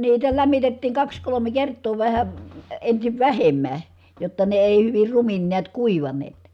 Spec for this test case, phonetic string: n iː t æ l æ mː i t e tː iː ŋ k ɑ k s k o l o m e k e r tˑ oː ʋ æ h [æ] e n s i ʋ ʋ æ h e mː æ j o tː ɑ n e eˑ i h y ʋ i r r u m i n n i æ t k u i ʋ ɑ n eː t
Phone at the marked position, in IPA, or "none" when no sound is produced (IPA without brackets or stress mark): æ